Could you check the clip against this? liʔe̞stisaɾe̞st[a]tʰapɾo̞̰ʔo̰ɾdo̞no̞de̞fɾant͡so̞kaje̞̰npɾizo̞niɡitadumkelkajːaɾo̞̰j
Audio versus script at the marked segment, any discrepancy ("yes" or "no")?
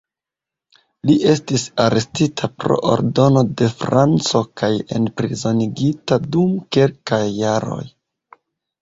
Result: yes